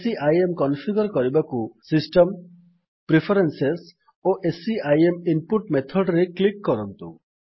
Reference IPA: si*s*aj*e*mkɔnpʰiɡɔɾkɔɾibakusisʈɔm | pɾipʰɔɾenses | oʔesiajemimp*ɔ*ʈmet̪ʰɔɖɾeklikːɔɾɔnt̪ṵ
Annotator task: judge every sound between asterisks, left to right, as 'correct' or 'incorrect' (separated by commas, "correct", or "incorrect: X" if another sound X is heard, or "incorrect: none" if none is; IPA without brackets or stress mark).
incorrect: none, correct, incorrect: u